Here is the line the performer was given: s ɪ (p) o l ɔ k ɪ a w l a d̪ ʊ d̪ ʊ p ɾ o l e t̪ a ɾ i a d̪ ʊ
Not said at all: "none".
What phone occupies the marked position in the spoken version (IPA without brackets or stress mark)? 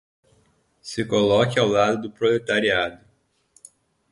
k